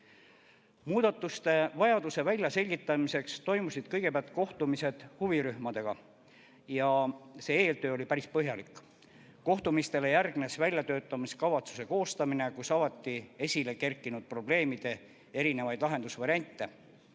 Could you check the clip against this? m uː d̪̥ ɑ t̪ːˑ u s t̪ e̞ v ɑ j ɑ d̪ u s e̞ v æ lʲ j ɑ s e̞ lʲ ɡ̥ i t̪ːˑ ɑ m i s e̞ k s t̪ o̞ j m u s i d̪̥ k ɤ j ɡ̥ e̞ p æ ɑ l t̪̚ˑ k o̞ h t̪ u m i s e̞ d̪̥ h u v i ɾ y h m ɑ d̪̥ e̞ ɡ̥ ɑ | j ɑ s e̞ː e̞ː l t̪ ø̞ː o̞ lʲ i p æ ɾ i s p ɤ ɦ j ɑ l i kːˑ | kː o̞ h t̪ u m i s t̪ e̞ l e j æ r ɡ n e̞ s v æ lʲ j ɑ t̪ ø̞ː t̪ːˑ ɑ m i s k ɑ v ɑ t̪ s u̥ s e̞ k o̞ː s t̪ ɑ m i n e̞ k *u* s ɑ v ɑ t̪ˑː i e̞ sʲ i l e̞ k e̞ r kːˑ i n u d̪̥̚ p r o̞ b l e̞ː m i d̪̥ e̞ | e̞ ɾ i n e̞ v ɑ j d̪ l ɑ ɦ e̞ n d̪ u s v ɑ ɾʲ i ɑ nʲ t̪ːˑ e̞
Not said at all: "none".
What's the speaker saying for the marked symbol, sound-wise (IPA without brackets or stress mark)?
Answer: u